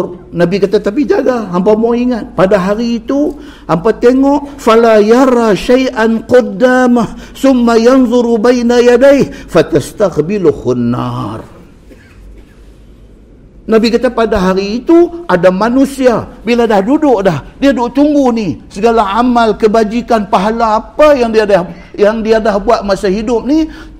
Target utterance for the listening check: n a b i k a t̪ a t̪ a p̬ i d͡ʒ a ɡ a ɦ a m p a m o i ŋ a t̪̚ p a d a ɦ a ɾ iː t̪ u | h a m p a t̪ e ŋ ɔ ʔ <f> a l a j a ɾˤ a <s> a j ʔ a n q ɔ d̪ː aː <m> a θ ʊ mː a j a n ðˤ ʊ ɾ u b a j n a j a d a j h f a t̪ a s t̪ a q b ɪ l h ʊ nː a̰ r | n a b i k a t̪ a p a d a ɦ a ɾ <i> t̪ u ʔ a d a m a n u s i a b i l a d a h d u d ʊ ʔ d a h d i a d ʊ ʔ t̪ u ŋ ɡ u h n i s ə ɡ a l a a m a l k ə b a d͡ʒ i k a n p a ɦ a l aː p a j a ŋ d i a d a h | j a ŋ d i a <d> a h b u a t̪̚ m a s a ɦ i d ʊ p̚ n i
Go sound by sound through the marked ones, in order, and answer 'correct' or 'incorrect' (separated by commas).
correct, incorrect, correct, incorrect, correct